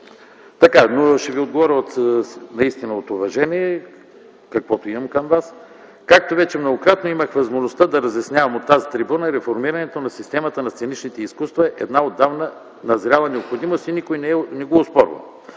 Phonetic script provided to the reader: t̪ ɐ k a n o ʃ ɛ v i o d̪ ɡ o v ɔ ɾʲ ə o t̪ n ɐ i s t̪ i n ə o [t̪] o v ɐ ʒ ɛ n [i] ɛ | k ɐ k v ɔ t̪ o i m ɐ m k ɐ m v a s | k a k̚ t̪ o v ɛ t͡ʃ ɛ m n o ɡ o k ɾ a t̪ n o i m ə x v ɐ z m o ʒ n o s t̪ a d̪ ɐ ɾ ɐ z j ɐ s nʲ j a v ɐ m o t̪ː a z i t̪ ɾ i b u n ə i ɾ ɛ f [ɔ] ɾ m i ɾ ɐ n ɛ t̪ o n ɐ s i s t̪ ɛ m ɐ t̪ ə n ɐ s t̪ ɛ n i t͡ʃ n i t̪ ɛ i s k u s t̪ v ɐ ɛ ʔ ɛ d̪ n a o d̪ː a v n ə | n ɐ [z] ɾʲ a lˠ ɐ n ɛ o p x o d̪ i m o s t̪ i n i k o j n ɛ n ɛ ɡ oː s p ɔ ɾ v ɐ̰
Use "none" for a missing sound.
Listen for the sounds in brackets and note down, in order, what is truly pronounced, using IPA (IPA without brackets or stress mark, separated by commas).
t̪, i, o, z